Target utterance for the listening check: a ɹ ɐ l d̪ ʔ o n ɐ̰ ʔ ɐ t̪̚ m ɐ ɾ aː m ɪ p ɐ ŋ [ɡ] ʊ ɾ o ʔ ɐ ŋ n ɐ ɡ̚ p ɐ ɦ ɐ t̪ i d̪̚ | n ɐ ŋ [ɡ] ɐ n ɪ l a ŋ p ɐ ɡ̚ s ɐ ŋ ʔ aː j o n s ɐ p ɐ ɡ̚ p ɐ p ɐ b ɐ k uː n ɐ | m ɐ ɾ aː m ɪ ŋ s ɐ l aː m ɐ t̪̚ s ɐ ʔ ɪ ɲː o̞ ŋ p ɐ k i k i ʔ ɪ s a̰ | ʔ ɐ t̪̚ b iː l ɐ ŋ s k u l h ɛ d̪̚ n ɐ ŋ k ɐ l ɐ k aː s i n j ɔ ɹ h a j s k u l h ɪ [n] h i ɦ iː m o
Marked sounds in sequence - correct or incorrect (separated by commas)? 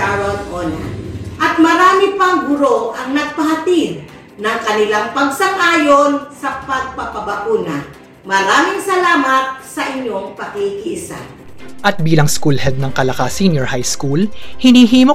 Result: correct, incorrect, correct